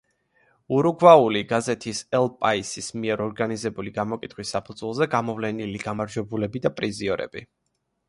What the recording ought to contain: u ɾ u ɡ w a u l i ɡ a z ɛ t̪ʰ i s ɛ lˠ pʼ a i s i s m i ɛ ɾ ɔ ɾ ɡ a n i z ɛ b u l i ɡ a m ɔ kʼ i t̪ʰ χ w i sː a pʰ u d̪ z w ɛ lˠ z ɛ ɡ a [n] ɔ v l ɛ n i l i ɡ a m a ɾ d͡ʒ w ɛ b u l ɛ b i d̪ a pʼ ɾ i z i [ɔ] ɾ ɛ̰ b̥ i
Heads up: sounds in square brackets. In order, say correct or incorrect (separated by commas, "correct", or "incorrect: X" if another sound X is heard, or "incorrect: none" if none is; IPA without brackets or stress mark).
incorrect: m, correct